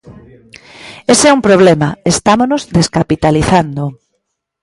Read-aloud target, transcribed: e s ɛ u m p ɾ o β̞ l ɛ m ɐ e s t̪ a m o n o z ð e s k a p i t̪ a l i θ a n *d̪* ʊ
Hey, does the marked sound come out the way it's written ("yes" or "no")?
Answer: yes